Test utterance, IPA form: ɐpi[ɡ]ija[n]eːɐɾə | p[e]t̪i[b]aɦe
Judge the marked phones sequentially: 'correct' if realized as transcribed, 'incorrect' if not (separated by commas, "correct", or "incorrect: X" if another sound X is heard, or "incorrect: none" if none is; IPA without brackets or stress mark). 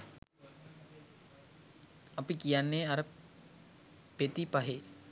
incorrect: k, incorrect: nː, correct, incorrect: p